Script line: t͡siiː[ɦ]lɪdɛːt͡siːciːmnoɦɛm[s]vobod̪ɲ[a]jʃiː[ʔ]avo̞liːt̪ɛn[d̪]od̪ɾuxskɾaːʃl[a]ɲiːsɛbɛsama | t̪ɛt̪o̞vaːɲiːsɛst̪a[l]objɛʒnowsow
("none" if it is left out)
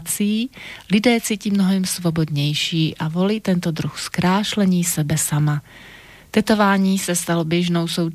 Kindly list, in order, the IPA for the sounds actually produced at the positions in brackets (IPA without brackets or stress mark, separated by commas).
none, s, ɛ, ʔ, t̪, ɛ, l